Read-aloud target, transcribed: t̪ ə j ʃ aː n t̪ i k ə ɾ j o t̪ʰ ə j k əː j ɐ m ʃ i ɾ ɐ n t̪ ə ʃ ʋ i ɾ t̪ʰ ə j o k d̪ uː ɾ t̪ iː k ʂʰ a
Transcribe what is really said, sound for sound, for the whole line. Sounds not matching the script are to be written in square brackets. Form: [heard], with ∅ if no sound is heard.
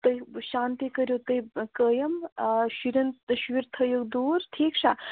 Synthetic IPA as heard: t̪ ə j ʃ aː n t̪ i k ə ɾ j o [t̪] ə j k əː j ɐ m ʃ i ɾ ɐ n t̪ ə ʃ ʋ i ɾ t̪ʰ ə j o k d̪ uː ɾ [t̪ʰ] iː k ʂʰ a